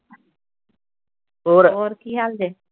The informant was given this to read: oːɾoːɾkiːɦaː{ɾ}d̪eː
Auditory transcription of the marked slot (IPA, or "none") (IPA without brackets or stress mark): l